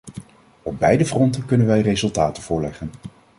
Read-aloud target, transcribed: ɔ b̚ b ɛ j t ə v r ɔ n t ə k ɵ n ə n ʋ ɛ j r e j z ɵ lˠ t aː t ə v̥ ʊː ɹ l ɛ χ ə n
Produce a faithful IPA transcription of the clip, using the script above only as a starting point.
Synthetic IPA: ɔ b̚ b ɛ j d ə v r ɔ n t ə k ɵ n ə n ʋ ɛ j r e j z ɵ lˠ t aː t ə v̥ ʊː ɹ l ɛ χ ə n